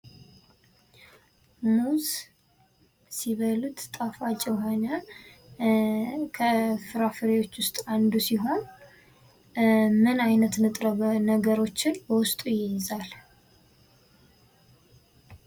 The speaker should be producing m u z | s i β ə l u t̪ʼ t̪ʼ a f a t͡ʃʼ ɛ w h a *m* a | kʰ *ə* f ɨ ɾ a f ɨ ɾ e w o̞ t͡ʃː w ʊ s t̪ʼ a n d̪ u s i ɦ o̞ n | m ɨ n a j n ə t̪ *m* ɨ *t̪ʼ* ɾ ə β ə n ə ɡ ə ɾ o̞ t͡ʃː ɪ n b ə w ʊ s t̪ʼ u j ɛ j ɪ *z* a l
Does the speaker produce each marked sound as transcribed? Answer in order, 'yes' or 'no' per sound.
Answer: no, yes, no, yes, yes

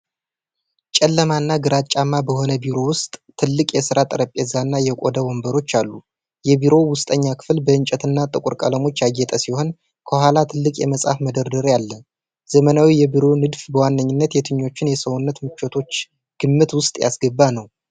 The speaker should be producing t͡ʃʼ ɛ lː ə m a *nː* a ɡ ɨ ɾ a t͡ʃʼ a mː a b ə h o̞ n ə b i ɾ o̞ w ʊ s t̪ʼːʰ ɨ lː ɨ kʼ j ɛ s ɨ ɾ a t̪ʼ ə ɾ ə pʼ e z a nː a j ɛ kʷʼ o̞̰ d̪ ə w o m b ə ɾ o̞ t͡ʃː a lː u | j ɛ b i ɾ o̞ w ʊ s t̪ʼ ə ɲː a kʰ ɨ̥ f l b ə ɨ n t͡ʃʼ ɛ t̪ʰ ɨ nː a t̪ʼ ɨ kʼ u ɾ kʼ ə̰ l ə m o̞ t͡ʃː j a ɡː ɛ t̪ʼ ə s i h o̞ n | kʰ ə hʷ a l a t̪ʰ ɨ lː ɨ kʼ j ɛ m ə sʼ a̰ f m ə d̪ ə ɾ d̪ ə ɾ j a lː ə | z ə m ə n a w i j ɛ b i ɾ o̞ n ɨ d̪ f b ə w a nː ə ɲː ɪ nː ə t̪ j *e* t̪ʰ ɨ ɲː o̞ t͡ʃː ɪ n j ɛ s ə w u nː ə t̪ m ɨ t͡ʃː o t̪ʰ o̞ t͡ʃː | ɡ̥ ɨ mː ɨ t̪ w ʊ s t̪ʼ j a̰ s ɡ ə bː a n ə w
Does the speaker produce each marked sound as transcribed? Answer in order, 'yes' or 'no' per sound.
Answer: yes, no

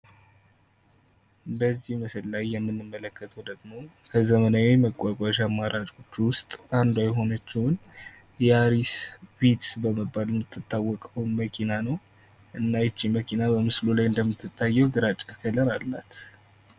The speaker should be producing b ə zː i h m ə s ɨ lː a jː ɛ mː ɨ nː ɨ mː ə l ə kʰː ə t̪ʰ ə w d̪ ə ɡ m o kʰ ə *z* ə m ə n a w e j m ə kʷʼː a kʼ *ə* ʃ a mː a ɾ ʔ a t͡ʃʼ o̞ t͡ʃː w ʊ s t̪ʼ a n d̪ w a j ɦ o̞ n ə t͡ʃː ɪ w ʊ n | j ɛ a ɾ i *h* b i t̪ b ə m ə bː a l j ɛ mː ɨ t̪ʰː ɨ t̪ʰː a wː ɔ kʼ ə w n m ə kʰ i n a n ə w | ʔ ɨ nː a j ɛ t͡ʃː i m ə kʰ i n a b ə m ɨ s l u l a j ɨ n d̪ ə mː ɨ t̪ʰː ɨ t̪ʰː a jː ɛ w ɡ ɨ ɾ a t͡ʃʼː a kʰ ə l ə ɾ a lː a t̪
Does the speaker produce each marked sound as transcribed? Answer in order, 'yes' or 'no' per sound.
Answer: yes, no, no

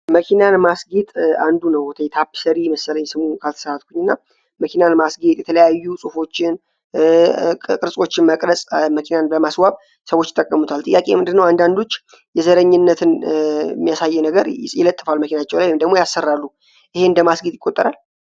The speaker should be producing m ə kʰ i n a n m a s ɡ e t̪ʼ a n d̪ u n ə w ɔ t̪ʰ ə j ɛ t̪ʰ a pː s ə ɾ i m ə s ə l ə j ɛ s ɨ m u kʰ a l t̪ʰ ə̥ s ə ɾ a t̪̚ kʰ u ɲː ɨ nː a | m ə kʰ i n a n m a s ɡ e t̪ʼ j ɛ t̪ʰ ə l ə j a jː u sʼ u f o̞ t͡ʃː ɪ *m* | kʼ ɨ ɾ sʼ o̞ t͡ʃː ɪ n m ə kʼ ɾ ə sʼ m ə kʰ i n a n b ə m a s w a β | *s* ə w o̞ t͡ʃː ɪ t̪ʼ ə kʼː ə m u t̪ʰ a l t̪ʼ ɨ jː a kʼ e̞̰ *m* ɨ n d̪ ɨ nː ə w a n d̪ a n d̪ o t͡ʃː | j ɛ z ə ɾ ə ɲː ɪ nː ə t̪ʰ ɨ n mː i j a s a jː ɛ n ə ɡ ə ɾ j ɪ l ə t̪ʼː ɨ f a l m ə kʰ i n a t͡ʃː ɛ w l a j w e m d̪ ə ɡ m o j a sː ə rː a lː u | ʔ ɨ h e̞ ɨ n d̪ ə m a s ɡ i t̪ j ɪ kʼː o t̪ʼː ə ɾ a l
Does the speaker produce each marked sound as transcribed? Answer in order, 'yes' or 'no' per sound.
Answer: no, yes, yes

